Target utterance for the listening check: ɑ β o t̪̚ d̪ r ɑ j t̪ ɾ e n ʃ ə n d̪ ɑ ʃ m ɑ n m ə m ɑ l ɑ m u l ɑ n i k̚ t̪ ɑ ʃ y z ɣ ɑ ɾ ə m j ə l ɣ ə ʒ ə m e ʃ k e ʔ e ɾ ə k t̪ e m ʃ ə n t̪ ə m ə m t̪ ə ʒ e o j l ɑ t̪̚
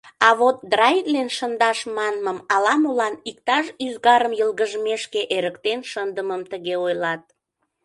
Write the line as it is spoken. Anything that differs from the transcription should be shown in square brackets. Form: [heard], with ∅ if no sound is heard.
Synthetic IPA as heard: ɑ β o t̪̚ d̪ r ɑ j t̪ [l] e n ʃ ə n d̪ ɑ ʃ m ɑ n m ə m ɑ l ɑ m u l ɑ n i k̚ t̪ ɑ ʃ y z ɣ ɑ ɾ ə m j ə l ɣ ə ʒ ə m e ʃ k e ʔ e ɾ ə k t̪ e [n] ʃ ə n [d̪] ə m ə m t̪ ə [ɣ] e o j l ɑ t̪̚